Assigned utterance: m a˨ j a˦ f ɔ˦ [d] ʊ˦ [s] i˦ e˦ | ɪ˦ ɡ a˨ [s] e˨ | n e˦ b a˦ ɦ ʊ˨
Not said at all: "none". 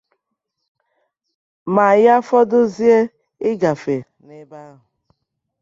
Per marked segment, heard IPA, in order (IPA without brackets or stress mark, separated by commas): d, z, f